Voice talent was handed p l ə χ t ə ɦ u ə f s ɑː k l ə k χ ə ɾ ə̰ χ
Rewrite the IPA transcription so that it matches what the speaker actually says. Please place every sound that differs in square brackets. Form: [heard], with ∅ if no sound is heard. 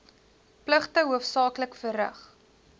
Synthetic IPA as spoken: p l ə χ t ə ɦ u ə f s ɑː k l ə k [f] ə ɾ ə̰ χ